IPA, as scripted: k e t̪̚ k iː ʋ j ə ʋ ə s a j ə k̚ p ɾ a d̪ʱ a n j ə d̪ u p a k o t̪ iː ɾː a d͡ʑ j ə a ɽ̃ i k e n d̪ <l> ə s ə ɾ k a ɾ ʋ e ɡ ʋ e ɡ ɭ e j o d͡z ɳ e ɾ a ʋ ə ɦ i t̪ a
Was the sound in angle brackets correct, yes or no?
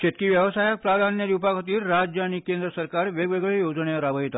no